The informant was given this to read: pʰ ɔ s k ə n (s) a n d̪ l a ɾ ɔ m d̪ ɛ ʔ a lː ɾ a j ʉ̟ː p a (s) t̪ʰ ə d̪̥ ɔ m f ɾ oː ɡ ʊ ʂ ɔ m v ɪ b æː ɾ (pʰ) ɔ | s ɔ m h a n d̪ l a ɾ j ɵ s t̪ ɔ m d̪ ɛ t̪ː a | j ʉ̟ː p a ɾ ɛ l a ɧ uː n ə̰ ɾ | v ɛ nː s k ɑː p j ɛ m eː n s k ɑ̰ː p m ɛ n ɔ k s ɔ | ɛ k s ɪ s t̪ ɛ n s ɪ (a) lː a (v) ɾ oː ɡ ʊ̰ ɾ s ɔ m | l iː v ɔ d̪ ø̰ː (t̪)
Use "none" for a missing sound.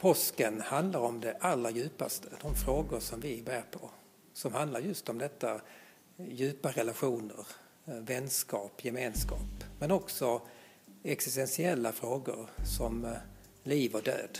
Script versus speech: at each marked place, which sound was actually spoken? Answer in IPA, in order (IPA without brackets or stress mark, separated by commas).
h, s, pʰ, ɛ, f, d̪